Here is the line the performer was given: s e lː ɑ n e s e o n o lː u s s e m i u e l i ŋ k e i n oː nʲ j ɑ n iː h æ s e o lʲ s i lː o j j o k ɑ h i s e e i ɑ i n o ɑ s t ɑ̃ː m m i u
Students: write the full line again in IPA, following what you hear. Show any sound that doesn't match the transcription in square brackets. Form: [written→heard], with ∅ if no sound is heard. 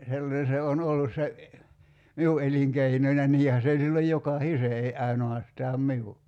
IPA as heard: s e lː ɑ n e s e o n o lː u s s e m i u e l i ŋ k e i n [oː→o] nʲ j ɑ n iː h æ s e o lʲ s i lː o j j o k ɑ h i s e e i ɑ i n o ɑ s t [ɑ̃ː→ɑː] m m i u